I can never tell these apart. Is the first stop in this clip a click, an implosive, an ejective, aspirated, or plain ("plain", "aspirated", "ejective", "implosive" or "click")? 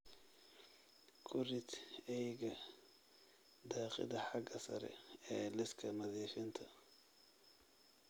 aspirated